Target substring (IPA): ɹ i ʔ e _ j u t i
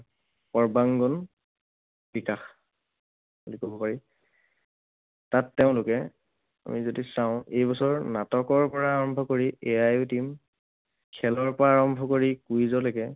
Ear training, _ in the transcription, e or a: a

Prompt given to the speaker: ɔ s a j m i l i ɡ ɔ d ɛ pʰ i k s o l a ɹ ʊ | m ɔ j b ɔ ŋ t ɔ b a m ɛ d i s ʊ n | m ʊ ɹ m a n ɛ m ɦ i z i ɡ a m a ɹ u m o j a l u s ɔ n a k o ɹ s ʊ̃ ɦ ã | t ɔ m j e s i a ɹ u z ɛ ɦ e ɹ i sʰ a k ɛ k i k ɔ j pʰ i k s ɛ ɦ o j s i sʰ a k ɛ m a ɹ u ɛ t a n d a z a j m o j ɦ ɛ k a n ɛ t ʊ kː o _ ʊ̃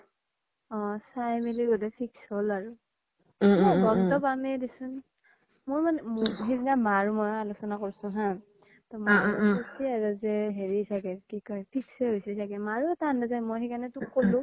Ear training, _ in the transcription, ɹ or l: l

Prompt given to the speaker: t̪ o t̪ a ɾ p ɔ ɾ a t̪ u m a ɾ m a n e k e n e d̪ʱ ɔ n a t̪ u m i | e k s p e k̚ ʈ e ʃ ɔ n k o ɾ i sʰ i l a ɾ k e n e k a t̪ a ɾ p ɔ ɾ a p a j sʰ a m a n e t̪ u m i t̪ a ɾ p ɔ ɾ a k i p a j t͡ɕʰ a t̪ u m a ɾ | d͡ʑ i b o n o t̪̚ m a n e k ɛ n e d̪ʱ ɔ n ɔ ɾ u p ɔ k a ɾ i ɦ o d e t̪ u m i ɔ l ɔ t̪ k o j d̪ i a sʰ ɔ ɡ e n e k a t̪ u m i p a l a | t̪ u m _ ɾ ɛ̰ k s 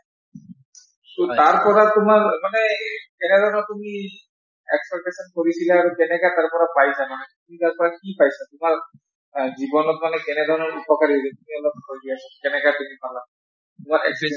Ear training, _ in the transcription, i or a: a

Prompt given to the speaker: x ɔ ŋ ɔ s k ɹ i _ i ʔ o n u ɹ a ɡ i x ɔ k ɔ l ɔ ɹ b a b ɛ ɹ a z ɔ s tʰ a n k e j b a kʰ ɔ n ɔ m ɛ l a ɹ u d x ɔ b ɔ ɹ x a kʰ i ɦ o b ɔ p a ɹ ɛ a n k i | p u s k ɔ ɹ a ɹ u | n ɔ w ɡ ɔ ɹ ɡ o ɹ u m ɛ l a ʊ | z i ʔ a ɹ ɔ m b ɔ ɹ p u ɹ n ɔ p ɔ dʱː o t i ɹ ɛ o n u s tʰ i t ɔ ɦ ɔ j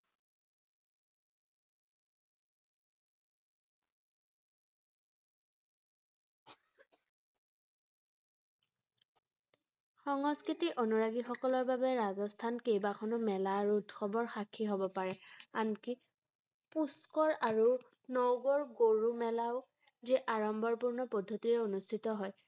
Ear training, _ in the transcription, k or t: t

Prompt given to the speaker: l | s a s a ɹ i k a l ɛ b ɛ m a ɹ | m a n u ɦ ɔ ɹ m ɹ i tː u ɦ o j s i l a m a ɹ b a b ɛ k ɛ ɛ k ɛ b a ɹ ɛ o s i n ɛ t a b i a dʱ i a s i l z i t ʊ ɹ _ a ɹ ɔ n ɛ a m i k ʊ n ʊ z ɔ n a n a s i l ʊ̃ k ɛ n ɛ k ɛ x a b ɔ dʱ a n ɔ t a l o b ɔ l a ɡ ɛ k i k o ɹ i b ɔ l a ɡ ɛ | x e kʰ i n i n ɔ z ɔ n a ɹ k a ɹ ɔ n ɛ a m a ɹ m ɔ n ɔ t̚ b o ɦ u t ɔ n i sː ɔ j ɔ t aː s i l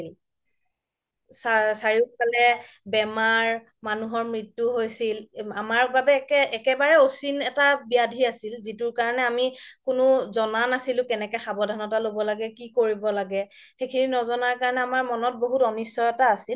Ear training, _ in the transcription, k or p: k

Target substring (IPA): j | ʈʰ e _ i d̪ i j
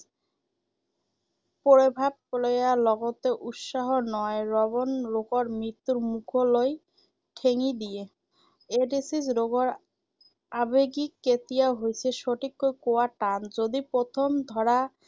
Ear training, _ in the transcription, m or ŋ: ŋ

